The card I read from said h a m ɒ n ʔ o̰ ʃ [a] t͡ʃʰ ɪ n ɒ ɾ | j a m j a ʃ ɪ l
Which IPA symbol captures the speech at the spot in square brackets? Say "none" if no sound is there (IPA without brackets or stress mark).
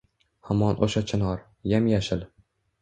a